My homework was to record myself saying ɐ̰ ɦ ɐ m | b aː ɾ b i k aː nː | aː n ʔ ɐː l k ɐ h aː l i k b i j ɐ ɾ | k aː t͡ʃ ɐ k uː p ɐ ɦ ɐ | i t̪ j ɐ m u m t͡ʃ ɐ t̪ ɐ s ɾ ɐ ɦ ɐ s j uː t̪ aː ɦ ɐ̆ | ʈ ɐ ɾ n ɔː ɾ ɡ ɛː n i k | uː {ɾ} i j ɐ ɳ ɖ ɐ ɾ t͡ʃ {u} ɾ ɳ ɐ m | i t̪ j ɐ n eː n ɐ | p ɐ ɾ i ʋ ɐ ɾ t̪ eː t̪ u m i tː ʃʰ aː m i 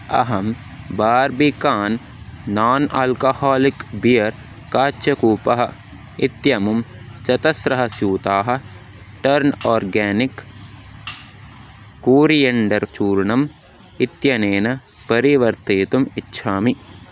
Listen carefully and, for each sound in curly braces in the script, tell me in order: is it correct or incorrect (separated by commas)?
correct, incorrect